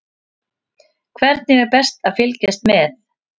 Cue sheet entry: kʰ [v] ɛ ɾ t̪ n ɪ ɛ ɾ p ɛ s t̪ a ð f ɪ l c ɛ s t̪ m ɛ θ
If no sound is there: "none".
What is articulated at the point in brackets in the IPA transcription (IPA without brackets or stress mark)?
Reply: v